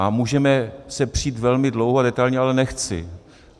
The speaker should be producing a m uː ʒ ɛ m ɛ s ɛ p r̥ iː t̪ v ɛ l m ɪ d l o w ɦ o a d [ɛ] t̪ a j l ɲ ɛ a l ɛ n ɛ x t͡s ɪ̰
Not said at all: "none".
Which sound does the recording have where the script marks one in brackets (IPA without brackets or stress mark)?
ɛ